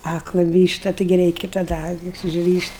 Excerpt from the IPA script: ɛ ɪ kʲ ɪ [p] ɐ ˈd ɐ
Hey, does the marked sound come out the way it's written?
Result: no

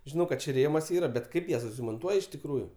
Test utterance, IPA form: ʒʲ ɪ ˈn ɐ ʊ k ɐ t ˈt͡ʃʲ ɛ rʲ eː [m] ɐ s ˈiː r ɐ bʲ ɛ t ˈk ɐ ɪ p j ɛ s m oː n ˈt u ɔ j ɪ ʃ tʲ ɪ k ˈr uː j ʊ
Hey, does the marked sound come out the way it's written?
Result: yes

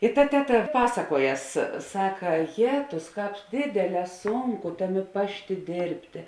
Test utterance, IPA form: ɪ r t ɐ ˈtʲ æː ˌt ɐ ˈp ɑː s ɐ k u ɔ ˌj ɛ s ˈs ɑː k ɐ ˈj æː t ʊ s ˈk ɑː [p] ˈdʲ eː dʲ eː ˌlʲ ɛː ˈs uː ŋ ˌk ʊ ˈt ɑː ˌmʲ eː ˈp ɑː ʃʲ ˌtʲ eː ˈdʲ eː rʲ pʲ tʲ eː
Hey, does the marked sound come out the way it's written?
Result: yes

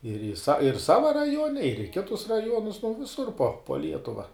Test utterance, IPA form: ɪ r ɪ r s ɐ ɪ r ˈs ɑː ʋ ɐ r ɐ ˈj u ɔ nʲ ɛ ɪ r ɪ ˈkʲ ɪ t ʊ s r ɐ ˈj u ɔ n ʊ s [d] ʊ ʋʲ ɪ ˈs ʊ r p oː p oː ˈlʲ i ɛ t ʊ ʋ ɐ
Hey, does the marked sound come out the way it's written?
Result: no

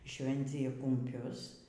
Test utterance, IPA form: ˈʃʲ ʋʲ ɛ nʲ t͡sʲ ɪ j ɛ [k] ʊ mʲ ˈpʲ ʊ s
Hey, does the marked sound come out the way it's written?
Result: yes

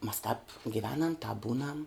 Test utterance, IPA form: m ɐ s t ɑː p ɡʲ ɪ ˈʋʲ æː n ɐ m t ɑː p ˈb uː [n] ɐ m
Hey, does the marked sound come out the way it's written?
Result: yes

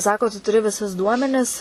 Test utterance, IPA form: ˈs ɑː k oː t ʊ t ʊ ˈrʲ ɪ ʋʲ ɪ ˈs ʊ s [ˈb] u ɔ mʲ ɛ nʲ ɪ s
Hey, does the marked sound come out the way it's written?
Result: no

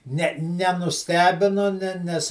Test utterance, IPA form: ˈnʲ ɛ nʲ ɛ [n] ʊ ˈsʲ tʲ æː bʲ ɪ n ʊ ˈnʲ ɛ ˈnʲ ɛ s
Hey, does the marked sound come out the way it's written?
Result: yes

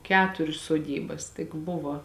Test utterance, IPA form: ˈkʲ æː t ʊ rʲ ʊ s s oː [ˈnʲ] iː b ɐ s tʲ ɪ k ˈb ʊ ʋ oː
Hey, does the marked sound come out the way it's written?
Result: no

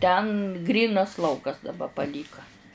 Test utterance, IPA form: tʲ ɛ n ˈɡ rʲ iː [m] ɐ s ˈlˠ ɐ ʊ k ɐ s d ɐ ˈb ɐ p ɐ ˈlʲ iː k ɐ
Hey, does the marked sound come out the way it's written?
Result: no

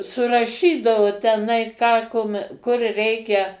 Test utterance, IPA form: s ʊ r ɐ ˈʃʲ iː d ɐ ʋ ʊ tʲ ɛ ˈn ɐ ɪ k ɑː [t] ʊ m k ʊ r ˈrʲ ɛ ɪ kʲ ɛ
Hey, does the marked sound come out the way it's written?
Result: no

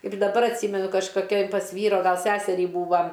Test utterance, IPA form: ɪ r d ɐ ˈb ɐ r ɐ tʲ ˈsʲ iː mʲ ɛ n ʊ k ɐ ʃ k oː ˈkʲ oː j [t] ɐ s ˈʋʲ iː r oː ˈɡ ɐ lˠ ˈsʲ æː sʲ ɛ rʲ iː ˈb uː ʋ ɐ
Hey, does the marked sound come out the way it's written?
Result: no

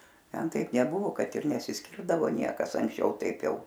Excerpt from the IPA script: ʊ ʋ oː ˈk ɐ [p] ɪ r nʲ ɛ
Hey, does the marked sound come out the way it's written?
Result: no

